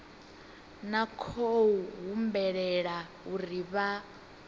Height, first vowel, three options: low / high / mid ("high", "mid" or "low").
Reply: low